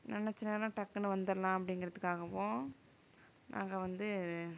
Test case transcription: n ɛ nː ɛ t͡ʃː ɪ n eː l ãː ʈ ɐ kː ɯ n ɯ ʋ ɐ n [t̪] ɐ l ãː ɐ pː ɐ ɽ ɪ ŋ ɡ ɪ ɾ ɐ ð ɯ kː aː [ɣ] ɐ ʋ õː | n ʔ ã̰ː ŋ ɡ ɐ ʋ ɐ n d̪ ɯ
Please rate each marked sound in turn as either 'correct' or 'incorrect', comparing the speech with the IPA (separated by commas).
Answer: incorrect, correct